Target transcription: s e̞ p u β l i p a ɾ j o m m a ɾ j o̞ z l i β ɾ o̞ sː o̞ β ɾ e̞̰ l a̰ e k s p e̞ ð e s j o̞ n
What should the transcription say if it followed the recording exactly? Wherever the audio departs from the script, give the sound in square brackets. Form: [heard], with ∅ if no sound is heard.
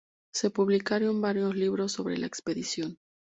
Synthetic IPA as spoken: s e̞ p u β l i [k] a ɾ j o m [b] a ɾ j o̞ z l i β ɾ o̞ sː o̞ β ɾ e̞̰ l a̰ e k s p e̞ ð [i] s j o̞ n